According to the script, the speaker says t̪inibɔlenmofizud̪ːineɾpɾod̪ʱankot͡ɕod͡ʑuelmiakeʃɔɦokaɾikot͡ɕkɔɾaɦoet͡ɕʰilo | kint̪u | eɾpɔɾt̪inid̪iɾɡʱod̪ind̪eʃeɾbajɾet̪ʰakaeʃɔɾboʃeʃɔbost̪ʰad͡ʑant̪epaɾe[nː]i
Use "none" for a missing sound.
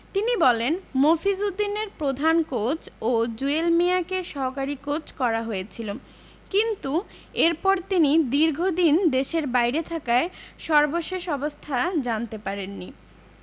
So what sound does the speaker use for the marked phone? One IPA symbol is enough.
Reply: nː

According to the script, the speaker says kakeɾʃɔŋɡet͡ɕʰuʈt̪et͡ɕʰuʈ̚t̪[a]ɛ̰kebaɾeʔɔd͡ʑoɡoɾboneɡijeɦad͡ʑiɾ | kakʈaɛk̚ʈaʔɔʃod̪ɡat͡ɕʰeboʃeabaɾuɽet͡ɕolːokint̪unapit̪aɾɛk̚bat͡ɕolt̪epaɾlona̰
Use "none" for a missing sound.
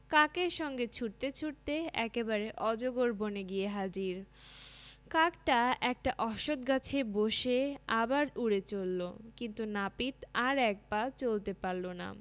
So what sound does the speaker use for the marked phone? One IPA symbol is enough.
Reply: e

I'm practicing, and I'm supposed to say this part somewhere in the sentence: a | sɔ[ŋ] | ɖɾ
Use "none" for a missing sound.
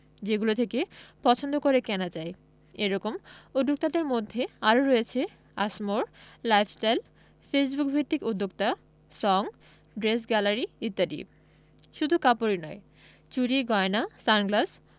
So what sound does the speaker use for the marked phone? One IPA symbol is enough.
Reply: ŋ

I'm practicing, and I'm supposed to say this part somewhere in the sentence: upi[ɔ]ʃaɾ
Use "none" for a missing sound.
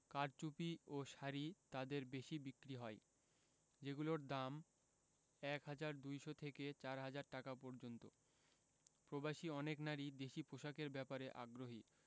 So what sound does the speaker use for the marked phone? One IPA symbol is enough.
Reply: o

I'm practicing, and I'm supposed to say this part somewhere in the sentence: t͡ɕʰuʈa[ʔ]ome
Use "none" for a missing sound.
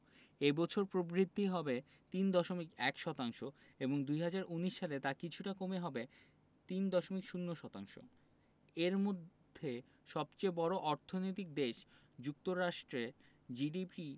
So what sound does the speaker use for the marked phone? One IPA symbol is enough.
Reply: k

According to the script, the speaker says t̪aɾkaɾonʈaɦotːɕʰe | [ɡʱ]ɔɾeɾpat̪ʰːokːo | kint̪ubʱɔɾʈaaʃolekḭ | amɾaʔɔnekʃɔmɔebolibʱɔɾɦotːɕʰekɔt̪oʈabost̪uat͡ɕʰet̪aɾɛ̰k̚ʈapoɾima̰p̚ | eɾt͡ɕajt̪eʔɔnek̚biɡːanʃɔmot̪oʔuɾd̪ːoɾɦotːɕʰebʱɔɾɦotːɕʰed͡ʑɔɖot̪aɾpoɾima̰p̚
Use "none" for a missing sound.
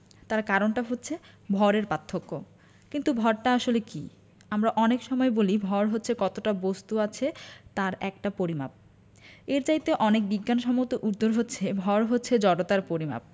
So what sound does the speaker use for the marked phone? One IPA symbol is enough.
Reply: bʱ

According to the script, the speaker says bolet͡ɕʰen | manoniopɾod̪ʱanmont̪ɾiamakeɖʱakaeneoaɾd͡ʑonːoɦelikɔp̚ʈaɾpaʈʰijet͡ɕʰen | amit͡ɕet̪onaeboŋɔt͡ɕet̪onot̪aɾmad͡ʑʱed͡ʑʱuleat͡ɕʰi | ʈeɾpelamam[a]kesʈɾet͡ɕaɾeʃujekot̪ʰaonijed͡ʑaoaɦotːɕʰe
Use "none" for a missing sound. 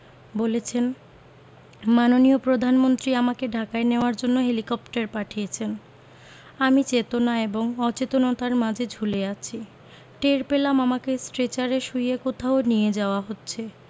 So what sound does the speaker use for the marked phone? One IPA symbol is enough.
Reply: a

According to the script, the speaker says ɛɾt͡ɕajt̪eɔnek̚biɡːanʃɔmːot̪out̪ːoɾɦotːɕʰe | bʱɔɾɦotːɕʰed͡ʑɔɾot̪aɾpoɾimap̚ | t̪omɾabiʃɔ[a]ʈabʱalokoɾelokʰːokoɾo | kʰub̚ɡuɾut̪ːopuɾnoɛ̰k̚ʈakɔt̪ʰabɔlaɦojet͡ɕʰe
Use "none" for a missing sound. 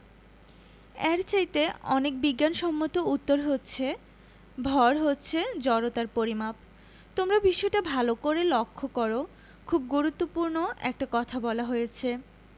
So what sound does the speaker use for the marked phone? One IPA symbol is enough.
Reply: e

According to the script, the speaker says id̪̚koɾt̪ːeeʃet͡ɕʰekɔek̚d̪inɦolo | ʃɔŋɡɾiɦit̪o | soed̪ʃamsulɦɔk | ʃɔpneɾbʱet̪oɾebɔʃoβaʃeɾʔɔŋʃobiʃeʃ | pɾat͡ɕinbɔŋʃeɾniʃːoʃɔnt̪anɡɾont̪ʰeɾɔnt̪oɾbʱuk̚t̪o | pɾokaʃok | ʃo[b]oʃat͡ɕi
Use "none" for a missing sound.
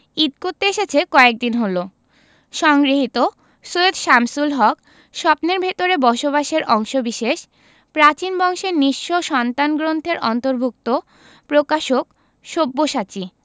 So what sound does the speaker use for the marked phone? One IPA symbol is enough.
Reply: bː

